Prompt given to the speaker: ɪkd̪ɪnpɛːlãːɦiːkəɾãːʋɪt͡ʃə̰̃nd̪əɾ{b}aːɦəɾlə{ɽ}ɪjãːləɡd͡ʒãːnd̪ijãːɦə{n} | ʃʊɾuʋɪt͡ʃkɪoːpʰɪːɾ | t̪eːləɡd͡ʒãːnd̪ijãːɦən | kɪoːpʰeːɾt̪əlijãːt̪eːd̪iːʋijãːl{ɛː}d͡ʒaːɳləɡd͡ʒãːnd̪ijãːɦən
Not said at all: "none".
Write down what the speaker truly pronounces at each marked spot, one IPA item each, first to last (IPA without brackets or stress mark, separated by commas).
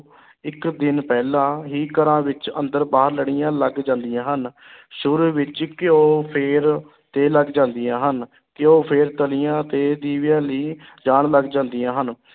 b, ɽ, n, iː